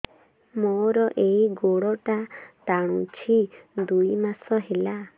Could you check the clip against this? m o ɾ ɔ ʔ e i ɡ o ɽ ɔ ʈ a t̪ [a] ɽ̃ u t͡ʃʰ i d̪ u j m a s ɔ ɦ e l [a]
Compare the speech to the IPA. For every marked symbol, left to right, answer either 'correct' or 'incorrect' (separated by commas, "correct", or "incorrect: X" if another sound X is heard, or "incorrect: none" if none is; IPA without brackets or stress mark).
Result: correct, correct